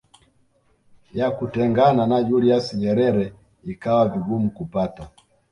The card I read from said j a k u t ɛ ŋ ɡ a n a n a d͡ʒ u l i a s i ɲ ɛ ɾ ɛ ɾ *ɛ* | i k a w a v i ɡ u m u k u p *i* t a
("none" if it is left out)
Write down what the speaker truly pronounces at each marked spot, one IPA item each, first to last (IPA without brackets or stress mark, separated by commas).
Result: ɛ, a